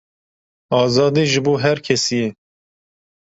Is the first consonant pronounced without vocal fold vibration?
no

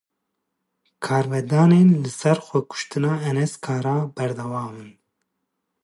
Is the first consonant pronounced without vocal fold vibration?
yes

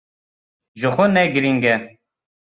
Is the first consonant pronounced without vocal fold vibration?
no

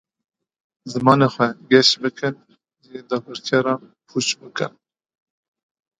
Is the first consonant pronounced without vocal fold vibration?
no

